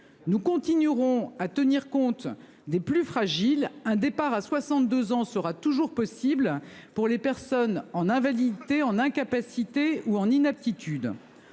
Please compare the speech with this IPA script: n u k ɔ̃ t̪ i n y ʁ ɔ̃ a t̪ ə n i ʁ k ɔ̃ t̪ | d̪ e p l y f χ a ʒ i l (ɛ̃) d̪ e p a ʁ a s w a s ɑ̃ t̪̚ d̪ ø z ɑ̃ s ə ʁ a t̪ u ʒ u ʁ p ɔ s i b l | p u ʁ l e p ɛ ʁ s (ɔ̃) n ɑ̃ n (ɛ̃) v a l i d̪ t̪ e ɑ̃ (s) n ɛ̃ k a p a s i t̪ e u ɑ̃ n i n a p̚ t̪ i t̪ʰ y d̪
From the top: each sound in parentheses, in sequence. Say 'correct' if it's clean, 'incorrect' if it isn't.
correct, incorrect: ɔ, correct, incorrect: none

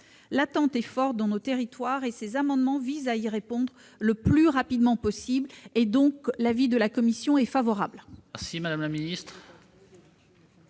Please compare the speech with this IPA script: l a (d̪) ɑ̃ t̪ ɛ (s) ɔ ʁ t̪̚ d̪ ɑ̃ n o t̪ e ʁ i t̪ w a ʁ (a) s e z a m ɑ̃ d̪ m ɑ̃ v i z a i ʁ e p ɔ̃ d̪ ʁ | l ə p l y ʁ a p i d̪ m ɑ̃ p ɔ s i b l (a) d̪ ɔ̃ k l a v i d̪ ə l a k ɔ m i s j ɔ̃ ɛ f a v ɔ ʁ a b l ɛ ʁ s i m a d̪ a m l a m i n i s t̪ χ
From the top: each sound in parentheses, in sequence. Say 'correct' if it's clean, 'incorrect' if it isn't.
incorrect: t̪, incorrect: f, incorrect: e, incorrect: e

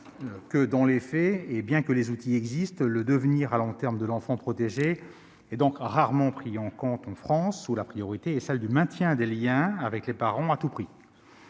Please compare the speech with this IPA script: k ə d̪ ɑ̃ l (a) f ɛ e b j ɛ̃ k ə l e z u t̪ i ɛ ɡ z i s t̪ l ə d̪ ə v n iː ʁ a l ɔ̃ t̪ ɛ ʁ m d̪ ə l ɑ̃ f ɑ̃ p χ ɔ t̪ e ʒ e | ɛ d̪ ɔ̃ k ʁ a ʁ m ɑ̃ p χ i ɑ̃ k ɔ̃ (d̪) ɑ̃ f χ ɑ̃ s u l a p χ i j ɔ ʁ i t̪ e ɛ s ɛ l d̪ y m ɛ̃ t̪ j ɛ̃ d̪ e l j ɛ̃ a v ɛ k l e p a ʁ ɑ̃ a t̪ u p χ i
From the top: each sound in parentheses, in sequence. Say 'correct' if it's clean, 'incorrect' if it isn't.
incorrect: e, incorrect: t̪

